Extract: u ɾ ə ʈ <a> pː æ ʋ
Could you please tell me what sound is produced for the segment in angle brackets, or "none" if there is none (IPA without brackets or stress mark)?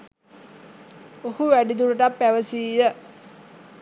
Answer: a